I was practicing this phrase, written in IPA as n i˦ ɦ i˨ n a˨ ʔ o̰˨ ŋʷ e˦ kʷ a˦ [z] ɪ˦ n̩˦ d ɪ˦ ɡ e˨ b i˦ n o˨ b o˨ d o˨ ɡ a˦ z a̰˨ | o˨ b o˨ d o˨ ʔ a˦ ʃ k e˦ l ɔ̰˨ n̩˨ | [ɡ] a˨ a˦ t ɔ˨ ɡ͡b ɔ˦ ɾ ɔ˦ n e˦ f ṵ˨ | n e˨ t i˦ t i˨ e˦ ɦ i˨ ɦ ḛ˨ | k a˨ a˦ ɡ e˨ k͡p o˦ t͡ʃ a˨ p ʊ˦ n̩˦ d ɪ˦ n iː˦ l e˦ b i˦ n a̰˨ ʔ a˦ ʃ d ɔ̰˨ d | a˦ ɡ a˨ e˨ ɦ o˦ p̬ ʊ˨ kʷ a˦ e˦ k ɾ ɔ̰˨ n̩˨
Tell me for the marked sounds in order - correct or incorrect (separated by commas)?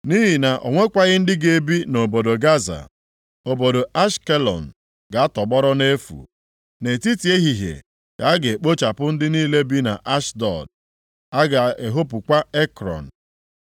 incorrect, correct